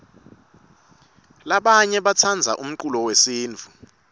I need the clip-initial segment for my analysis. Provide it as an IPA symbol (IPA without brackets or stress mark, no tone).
l